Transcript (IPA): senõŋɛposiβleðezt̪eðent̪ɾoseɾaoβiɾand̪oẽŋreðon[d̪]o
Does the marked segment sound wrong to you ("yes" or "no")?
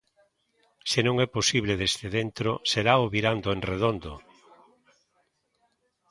no